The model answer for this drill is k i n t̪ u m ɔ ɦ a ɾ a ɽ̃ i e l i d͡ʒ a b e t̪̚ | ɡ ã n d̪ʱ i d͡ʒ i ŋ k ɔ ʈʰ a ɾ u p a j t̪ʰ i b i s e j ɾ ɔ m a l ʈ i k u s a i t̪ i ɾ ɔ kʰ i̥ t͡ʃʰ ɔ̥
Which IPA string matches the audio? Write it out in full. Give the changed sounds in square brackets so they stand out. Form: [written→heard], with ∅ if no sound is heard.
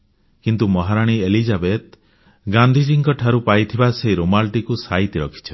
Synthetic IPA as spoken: k i n t̪ u m ɔ ɦ a ɾ a ɽ̃ i e l i d͡ʒ a b e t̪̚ | ɡ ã n d̪ʱ i d͡ʒ i ŋ k ɔ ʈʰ a ɾ u p a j t̪ʰ i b [i→a] s e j ɾ [ɔ→o] m a l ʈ i k u s a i t̪ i ɾ ɔ kʰ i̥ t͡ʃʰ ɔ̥